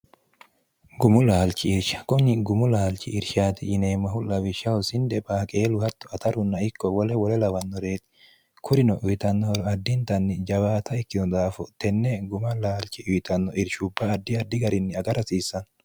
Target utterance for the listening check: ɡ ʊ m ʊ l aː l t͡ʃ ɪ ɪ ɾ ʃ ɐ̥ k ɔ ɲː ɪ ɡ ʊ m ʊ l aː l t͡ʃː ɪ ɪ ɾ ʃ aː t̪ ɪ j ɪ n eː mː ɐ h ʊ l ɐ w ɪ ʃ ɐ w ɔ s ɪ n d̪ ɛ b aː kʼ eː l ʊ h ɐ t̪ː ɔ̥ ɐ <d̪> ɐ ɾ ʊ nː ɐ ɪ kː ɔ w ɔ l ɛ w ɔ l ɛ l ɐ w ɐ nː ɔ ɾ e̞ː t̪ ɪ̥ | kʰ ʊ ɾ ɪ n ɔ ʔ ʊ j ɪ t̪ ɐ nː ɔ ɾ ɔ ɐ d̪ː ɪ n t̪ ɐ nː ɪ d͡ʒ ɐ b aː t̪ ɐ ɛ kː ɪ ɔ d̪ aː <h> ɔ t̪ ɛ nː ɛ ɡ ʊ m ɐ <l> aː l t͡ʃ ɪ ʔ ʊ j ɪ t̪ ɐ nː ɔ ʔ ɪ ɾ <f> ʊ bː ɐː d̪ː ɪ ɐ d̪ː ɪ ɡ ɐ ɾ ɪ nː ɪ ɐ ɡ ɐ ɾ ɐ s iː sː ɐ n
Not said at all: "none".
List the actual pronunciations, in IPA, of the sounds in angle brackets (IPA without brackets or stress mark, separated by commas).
t̪, f, l, ʃ